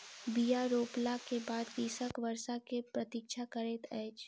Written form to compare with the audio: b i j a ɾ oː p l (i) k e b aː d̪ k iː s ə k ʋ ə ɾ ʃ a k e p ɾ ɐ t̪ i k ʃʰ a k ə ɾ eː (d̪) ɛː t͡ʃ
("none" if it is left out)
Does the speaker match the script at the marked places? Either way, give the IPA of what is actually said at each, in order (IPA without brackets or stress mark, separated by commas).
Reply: a, t̪